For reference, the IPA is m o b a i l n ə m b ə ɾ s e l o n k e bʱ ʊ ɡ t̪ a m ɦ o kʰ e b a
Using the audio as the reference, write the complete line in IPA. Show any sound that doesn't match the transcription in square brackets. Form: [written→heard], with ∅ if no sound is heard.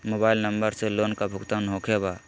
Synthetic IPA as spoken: m o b a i l n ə m b ə ɾ s e l o n k [e→a] bʱ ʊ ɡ t̪ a [m→n] ɦ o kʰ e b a